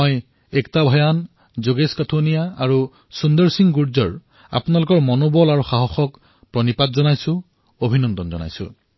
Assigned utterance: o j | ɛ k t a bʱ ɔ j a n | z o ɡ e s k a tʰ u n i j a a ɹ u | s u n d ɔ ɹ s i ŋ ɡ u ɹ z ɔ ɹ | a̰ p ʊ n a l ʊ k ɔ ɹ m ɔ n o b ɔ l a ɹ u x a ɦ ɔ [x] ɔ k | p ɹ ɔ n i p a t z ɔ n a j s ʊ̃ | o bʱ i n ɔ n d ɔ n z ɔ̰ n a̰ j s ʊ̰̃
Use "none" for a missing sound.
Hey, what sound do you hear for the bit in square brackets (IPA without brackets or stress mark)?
x